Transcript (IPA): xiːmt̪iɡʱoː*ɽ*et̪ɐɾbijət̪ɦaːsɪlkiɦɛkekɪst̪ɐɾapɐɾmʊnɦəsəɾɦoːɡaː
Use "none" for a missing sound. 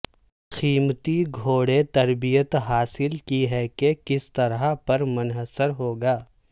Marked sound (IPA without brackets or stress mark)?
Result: ɽ